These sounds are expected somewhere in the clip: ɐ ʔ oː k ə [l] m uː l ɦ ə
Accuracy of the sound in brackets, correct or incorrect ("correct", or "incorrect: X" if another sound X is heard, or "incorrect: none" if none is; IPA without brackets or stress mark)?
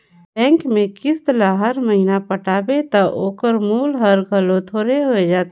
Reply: incorrect: ɾ